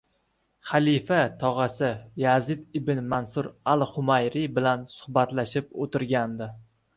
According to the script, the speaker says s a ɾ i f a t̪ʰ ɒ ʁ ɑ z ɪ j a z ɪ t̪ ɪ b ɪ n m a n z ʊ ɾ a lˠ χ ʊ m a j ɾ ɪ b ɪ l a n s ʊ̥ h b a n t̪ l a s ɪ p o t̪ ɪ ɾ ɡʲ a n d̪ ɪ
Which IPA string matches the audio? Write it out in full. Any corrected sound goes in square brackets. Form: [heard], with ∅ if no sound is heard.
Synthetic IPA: [χ] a [l] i f a t̪ʰ ɒ ʁ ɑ [s] ɪ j a z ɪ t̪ ɪ b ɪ n m a n [s] ʊ ɾ a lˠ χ ʊ m a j ɾ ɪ b ɪ l a n s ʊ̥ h b a [∅] t̪ l a [ʃ] ɪ p o t̪ ɪ ɾ ɡʲ a n d̪ ɪ